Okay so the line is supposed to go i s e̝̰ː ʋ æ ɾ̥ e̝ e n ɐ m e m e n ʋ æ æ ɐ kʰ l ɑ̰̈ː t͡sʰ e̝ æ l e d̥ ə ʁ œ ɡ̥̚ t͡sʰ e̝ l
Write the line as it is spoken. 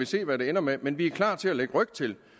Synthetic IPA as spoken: i s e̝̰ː ʋ æ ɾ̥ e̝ e n ɐ m e m e n ʋ i æ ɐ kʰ l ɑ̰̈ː t͡sʰ e̝ æ l e ɡ̥ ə ʁ œ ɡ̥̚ t͡sʰ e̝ l